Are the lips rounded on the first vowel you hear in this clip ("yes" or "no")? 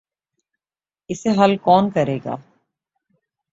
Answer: no